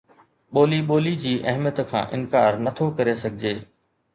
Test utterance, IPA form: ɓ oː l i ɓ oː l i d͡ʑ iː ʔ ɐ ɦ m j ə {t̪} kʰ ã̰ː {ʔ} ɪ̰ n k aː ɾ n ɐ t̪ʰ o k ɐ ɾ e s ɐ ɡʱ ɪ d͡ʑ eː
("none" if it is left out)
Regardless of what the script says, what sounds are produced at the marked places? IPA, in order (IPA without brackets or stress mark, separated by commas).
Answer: t̪, ʔ